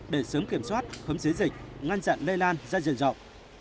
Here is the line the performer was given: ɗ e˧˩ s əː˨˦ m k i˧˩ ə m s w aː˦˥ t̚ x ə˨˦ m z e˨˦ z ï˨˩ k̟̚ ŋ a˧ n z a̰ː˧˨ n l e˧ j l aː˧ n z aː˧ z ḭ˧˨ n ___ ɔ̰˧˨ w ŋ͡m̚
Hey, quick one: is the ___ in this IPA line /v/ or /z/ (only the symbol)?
z